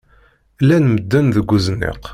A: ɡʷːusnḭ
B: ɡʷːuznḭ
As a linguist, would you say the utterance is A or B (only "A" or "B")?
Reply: B